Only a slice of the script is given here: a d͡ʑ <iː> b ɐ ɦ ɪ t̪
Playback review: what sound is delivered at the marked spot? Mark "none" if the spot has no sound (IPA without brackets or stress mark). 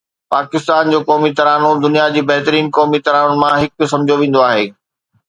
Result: iː